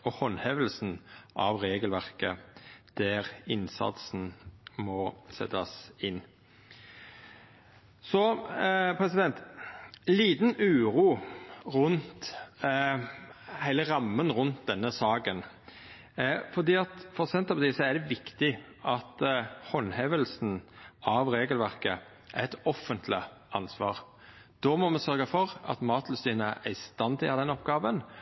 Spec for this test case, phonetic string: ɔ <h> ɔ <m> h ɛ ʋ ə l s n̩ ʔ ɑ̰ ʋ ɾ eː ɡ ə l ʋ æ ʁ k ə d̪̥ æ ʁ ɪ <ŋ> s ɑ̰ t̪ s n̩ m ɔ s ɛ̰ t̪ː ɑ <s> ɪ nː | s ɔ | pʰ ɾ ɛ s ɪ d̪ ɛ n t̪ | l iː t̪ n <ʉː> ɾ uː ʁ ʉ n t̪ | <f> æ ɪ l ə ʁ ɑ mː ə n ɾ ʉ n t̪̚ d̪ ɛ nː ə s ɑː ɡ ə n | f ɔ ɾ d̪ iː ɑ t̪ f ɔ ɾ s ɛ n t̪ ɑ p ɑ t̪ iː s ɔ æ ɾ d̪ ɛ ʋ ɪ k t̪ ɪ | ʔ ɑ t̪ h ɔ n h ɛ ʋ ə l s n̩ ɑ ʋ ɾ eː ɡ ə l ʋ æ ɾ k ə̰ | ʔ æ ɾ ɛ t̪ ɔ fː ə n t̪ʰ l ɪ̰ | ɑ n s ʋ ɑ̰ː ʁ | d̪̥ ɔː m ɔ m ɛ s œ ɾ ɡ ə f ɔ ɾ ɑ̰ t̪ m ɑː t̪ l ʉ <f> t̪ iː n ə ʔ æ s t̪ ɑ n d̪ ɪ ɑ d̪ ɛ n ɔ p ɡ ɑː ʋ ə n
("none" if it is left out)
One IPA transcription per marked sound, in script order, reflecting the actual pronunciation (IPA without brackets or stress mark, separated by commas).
h, n, n, s, ʉː, h, s